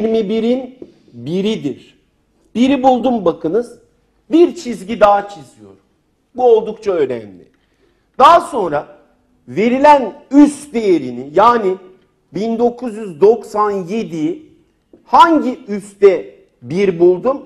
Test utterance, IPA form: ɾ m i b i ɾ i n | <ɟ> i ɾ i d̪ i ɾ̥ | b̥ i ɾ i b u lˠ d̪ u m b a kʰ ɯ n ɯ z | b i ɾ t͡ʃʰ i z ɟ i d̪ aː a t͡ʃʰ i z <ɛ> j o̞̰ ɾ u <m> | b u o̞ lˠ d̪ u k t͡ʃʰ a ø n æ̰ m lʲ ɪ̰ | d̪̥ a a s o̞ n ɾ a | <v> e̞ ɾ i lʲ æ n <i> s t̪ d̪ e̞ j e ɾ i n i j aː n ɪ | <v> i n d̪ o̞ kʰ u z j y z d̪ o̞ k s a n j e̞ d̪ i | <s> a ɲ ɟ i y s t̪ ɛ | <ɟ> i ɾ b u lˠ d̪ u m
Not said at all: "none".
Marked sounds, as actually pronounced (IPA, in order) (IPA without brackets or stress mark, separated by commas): b, i, m, v, y, b, h, b